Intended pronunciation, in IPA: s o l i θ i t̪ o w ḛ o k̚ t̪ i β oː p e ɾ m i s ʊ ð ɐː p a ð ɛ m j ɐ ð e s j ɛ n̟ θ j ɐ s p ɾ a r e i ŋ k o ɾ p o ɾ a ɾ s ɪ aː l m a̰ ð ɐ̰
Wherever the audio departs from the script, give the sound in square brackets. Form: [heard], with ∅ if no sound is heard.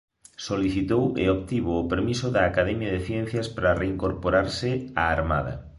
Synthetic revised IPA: s o l i θ i t̪ o w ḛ o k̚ t̪ i β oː p e ɾ m i s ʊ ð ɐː [k] a ð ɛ m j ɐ ð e [θ] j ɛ n̟ θ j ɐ s p ɾ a r e i ŋ k o ɾ p o ɾ a ɾ s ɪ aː [ɾ] m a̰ ð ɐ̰